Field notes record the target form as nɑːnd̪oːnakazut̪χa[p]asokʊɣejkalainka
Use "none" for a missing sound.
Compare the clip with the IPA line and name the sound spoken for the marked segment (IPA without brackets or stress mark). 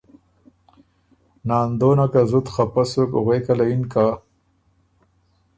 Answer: p